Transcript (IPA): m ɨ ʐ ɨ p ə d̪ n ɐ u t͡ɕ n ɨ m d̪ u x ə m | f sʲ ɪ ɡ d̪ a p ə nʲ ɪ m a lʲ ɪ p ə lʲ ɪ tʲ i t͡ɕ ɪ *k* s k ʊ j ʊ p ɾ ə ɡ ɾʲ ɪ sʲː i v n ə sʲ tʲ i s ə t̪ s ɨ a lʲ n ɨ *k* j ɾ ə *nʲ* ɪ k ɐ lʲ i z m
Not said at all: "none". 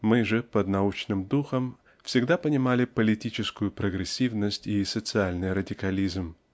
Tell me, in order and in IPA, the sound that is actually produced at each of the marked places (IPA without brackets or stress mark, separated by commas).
none, none, dʲ